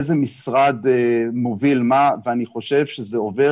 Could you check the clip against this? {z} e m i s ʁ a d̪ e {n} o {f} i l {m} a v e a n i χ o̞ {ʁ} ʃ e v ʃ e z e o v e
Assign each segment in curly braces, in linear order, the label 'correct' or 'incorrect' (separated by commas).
correct, incorrect, incorrect, correct, incorrect